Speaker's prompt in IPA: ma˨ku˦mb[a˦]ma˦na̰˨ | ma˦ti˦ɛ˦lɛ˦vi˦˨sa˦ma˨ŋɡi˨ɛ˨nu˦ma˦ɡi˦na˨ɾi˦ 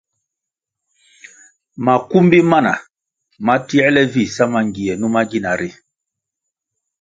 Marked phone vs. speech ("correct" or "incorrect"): incorrect